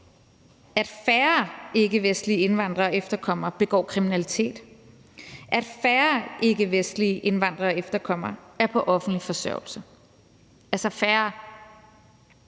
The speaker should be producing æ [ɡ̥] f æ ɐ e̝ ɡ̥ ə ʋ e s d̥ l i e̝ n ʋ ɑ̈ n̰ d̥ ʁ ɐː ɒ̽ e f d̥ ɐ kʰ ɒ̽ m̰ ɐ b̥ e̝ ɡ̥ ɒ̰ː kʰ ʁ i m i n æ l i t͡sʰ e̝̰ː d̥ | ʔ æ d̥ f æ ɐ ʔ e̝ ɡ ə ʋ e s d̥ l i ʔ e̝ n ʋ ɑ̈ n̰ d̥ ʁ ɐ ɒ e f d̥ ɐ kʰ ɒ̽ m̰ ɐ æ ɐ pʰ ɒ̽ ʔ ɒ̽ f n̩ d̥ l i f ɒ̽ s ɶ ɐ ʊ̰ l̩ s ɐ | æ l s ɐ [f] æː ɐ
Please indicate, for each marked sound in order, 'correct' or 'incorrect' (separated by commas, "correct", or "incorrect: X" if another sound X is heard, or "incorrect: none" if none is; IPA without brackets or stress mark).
incorrect: d̥, correct